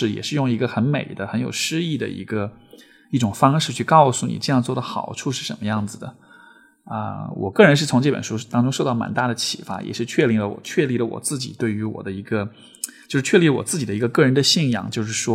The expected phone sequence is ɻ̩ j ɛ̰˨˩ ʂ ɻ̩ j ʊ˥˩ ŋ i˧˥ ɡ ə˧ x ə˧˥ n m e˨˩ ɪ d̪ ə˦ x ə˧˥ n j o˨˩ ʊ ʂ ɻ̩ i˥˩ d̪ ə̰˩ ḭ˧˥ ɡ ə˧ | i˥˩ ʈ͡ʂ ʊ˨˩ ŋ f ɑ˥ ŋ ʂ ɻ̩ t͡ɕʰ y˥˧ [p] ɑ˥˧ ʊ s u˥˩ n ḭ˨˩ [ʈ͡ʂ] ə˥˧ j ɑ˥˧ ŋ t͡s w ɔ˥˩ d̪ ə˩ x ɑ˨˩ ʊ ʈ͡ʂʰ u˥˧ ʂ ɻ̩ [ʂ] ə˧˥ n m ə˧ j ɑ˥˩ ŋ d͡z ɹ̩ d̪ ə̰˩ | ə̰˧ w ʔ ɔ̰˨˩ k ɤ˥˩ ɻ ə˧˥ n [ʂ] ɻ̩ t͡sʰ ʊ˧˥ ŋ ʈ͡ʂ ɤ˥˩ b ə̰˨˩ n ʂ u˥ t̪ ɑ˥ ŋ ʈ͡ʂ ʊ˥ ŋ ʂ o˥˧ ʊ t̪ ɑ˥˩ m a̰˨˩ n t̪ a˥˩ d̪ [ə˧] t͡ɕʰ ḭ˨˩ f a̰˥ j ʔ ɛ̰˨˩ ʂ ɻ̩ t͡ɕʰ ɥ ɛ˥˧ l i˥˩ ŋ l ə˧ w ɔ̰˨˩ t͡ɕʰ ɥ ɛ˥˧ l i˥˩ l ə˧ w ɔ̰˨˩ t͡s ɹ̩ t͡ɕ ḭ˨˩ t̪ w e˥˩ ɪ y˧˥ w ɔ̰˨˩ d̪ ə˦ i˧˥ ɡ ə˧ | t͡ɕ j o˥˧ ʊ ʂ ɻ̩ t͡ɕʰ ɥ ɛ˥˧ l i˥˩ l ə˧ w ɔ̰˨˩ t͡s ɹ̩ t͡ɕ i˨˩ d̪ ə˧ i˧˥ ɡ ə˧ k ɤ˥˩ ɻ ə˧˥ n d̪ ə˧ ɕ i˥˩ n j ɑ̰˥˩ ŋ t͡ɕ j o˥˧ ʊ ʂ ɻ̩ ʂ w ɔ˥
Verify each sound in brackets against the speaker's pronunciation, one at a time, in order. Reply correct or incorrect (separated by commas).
incorrect, correct, correct, correct, incorrect